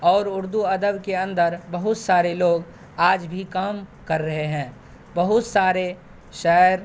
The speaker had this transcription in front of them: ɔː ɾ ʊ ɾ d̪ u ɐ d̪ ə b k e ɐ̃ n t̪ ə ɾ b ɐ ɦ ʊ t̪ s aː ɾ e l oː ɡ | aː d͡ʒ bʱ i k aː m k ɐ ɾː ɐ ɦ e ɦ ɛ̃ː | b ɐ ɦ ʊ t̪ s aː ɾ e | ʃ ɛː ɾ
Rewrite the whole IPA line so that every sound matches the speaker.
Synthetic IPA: ɔː ɾ ʊ ɾ d̪ u ɐ d̪ ə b k e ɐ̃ n d̪ ə ɾ b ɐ ɦ ʊ t̪ s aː ɾ e l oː ɡ | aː d͡ʒ bʱ i k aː m k ɐ ɾː ɐ ɦ e ɦ ɛ̃ː | b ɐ ɦ ʊ t̪ s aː ɾ e | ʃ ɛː ɾ